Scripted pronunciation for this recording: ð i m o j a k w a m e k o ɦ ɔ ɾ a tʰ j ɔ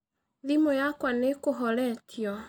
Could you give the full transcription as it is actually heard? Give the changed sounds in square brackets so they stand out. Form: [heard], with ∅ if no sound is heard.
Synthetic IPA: ð i m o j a k w a [n] e k o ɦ ɔ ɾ [ɛ] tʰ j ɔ